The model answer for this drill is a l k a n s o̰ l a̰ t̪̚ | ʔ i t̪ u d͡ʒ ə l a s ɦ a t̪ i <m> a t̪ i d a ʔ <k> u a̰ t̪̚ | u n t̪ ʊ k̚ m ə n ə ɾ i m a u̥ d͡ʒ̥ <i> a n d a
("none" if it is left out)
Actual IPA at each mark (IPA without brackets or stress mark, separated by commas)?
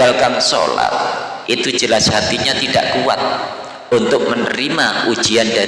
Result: ɲ, k, i